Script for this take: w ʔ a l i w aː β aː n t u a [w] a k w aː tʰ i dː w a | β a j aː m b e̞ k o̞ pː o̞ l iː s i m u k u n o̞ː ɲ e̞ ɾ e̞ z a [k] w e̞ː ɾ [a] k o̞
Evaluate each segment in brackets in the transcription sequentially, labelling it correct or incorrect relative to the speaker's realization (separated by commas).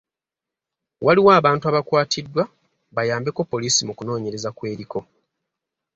incorrect, correct, incorrect